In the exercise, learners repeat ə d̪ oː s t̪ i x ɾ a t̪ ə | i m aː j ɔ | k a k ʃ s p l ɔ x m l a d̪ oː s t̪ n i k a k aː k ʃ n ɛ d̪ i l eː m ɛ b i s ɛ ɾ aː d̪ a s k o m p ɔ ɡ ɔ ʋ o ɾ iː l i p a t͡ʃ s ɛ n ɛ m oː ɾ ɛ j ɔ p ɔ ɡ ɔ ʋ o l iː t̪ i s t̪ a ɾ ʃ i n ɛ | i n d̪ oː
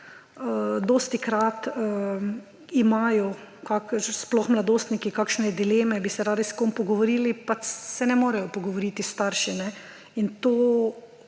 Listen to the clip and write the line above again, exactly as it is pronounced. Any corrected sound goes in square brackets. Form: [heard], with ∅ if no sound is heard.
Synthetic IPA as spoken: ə d̪ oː s t̪ i [k] ɾ a t̪ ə | i m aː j ɔ | k a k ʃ s p l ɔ x m l a d̪ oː s t̪ n i k [i] k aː k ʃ n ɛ d̪ i l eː m ɛ b i s ɛ ɾ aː d̪ [i] s k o m p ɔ ɡ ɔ ʋ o ɾ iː l i p a t͡ʃ s ɛ n ɛ m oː ɾ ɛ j ɔ p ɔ ɡ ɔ ʋ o [ɾ] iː t̪ i s t̪ a ɾ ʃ i n ɛ | i n [t̪] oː